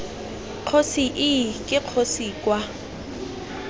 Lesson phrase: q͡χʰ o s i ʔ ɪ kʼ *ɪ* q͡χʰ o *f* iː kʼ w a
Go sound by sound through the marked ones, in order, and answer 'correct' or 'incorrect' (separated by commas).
correct, incorrect